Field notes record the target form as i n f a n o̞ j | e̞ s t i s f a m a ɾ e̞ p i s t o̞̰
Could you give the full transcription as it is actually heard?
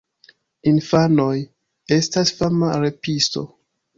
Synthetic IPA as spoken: i n f a n o̞ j | e̞ s t a s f a m a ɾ e̞ p i s t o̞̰